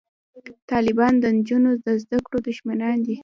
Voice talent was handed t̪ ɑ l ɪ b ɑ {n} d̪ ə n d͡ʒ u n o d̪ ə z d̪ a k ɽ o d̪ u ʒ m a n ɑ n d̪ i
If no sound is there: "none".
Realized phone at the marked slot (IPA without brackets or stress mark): n